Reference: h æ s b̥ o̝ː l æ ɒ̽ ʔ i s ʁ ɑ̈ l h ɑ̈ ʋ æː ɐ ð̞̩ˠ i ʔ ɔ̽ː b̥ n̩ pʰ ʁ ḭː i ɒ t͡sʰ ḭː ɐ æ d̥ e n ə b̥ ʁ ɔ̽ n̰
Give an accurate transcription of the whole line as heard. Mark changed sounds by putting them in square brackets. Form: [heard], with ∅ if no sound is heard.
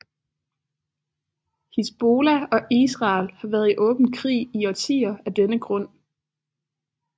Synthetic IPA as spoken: h [i] s b̥ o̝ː l æ ɒ̽ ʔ i s ʁ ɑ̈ l h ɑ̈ ʋ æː ɐ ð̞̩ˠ i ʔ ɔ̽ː b̥ n̩ [kʰ] ʁ ḭː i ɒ t͡sʰ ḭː ɐ æ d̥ e n ə [ɡ̥] ʁ ɔ̽ n̰

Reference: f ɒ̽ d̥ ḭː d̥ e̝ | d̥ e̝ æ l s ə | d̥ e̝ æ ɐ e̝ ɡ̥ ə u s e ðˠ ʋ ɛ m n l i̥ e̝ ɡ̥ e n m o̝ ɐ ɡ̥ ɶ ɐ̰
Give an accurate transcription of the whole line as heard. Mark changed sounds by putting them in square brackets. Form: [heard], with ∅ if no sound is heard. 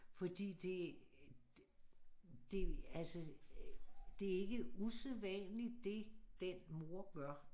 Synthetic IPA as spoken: f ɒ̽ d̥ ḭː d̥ e̝ | d̥ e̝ æ l s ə | d̥ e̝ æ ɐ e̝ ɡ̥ ə u s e ðˠ ʋ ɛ [∅] n l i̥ e̝ [d̥] e n m o̝ ɐ ɡ̥ ɶ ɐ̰

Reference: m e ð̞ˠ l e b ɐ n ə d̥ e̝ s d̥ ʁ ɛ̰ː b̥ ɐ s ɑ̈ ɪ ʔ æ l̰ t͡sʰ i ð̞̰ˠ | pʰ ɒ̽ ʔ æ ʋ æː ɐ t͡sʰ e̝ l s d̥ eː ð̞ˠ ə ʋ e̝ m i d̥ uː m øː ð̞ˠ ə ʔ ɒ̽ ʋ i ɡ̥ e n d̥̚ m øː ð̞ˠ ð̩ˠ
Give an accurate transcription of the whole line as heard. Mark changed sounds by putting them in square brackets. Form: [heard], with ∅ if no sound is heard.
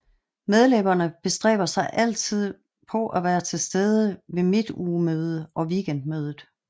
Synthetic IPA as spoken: m e ð̞ˠ l e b ɐ n ə [b̥] e̝ s d̥ ʁ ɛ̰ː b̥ ɐ s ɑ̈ ɪ ʔ æ l̰ t͡sʰ i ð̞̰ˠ | pʰ ɒ̽ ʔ æ ʋ æː ɐ t͡sʰ e̝ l s d̥ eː ð̞ˠ ə ʋ e̝ m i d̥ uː m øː ð̞ˠ ə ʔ ɒ̽ ʋ i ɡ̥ e n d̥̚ m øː ð̞ˠ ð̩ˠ

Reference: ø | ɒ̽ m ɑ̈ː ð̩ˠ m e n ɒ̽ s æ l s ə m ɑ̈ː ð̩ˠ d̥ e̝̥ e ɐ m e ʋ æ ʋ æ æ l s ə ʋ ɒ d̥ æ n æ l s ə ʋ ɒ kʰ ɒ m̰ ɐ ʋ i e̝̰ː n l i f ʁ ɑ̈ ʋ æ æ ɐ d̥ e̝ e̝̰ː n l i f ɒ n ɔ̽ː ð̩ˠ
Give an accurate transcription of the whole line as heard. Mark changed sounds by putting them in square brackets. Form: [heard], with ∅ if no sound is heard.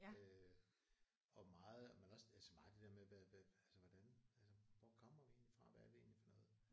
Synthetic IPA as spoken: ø | ɒ̽ m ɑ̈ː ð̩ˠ m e n ɒ̽ s æ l s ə m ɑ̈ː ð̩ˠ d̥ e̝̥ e ɐ m e ʋ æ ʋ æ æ l s ə ʋ ɒ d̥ æ n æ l s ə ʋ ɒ kʰ ɒ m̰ ɐ ʋ i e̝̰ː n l i f ʁ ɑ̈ ʋ æ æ ɐ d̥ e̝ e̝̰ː n l i f ɒ n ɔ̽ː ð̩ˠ

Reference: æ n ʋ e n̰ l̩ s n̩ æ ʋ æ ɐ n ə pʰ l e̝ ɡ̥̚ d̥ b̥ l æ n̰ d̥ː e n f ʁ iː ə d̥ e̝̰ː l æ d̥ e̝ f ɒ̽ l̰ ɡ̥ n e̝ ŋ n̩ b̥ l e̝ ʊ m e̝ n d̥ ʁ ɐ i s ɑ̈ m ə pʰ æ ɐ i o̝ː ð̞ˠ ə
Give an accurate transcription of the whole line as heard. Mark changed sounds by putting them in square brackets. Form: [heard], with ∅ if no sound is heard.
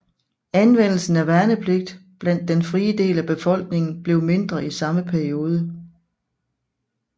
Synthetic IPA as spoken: æ n ʋ e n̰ l̩ s n̩ æ ʋ æ ɐ n ə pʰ l e̝ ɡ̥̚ d̥ b̥ l æ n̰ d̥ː e n f ʁ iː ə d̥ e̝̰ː l æ [b̥] e̝ f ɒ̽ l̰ ɡ̥ n e̝ ŋ n̩ b̥ l e̝ ʊ m e̝ n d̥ ʁ ɐ i s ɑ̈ m ə pʰ æ ɐ i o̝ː ð̞ˠ ə

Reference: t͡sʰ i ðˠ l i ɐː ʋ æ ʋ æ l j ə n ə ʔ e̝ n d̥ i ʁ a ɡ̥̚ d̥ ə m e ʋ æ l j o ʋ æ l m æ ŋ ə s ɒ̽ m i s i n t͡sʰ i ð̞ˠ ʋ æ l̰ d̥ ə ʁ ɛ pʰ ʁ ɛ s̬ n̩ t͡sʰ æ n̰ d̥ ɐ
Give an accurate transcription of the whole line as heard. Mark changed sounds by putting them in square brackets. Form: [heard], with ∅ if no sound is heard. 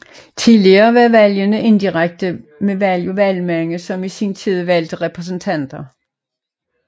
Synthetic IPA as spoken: t͡sʰ i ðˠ l i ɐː ʋ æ ʋ æ l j ə n ə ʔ e̝ n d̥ i ʁ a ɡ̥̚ d̥ ə m e ʋ æ l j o ʋ æ l m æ ŋ ə s ɒ̽ m i s i n t͡sʰ i ð̞ˠ ʋ æ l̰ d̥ ə ʁ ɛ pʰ ʁ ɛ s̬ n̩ t͡sʰ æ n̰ d̥ ɐ

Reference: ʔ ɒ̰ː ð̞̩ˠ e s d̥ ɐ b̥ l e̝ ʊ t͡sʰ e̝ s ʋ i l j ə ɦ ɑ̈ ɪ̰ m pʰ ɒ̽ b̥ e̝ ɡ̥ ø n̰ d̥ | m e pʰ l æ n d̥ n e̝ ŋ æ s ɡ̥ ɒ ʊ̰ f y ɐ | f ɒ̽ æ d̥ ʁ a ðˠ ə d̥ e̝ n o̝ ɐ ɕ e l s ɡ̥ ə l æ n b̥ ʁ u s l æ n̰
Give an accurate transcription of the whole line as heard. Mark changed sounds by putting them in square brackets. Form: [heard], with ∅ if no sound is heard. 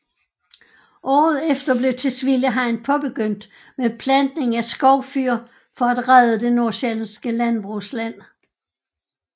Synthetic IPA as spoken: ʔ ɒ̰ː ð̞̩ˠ e [f] d̥ ɐ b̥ l e̝ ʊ t͡sʰ e̝ s ʋ i l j ə ɦ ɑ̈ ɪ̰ [n] pʰ ɒ̽ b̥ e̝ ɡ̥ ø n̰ d̥ | m e pʰ l æ n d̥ n e̝ ŋ æ s ɡ̥ ɒ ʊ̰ f y ɐ | f ɒ̽ æ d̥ ʁ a ðˠ ə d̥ e̝ n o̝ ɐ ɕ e l s ɡ̥ ə l æ n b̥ ʁ u s l æ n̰

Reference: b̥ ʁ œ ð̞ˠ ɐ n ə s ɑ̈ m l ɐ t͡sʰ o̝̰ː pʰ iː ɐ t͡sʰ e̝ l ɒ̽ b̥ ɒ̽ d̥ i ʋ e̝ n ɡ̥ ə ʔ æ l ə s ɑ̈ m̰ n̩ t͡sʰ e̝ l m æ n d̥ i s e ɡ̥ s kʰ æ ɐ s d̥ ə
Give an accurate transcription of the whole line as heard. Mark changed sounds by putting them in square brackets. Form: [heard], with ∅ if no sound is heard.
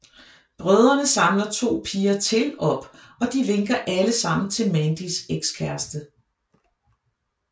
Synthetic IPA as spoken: b̥ ʁ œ ð̞ˠ ɐ n ə s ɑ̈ m l ɐ t͡sʰ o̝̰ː pʰ iː ɐ t͡sʰ e̝ l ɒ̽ b̥ ɒ̽ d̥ i ʋ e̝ [ŋ] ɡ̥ [ɐ] ʔ æ l ə s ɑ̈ m̰ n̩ t͡sʰ e̝ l m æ n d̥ i s e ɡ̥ s kʰ æ ɐ s d̥ ə

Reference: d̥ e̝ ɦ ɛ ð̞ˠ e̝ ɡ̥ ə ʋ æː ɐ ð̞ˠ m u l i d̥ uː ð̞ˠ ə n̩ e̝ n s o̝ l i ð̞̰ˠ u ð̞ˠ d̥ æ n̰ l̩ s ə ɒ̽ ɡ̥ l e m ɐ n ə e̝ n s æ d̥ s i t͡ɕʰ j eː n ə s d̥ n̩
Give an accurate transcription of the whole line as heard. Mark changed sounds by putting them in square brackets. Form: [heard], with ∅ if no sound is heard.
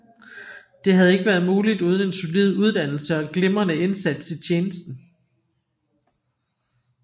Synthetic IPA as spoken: d̥ e̝ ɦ [æ] ð̞ˠ e̝ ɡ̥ ə ʋ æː ɐ ð̞ˠ m [uː] l i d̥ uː ð̞ˠ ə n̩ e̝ n s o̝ l i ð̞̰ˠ u ð̞ˠ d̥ æ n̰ l̩ s ə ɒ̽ ɡ̥ l e m ɐ n ə e̝ n s æ d̥ s i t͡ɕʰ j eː n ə s d̥ n̩

